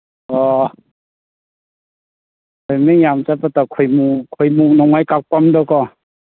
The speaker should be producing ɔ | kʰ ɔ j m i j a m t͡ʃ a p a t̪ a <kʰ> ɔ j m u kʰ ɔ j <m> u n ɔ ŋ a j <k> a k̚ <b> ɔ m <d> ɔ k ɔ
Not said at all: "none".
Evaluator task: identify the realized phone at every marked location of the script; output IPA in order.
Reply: kʰ, m, k, p, d

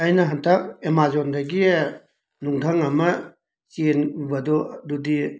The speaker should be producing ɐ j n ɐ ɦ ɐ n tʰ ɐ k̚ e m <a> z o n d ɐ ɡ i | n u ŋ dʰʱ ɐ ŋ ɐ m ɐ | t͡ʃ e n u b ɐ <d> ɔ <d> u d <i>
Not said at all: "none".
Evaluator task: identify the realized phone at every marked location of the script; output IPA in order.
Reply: a, d, d, i

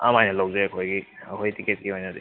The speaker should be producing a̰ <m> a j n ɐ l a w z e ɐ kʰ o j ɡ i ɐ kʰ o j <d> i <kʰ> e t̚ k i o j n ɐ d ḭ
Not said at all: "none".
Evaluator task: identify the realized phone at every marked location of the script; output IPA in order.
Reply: m, t, k

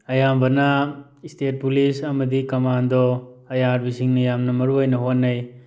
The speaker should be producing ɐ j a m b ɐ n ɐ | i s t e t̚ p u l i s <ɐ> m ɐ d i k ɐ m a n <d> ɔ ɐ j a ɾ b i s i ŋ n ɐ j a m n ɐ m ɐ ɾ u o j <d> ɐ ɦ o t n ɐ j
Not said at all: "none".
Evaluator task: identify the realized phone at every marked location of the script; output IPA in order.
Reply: ɐ, d, n

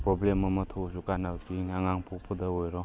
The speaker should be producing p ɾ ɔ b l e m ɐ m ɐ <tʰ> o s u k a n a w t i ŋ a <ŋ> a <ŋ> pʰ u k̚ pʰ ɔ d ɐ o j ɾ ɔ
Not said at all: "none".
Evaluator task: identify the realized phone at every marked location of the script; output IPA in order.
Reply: tʰ, ŋ, ŋ

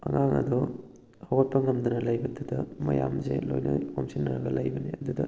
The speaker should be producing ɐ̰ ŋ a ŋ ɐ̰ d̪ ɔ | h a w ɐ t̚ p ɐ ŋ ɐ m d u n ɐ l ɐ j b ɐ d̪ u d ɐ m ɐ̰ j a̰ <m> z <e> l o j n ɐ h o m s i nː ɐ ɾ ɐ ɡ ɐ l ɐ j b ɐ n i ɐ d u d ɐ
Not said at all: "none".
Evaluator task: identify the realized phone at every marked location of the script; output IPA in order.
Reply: m, e

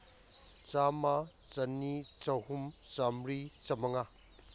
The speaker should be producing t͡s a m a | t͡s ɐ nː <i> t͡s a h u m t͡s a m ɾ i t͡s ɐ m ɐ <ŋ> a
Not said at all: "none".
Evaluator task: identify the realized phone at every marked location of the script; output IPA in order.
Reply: i, ŋ

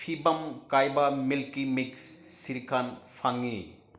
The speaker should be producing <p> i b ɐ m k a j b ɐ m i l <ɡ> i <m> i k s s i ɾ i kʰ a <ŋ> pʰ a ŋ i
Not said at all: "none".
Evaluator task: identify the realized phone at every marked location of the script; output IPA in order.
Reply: pʰ, k, m, n

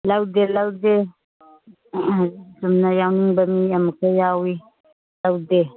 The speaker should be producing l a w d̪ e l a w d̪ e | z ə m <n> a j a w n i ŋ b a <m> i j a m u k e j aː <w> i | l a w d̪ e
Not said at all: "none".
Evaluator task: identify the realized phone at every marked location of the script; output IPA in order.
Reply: n, m, w

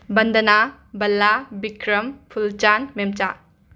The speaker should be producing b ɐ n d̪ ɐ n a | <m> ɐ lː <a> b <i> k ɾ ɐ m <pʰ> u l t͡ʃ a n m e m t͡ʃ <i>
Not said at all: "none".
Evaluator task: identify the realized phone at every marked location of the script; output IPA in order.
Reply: b, a, i, pʰ, a

